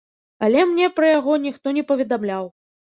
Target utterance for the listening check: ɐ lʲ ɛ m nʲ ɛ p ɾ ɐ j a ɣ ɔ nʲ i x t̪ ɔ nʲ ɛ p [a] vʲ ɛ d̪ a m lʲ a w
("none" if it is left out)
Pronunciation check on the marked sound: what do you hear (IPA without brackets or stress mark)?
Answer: ɐ